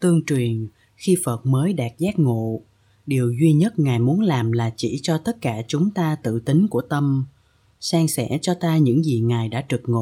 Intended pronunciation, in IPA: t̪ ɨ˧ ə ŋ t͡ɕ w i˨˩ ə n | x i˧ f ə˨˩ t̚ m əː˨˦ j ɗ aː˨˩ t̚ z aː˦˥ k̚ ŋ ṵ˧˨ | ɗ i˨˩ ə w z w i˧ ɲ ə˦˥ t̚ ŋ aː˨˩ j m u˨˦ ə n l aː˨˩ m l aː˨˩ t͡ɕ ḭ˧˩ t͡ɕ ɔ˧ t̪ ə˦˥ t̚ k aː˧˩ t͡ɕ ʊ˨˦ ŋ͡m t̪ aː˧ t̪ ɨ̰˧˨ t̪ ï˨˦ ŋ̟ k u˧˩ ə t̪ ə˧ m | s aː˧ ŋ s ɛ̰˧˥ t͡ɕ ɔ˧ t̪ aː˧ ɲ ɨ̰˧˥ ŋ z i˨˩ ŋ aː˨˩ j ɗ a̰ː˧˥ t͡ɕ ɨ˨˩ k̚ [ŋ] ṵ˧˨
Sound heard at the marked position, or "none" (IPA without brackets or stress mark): ŋ